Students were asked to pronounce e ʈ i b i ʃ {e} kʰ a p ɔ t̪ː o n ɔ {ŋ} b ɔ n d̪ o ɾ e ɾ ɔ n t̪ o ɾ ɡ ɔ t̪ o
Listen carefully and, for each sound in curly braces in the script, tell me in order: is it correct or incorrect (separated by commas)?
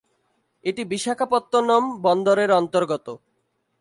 incorrect, incorrect